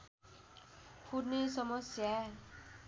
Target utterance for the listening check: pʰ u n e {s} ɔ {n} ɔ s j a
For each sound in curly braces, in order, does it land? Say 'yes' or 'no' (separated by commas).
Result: yes, no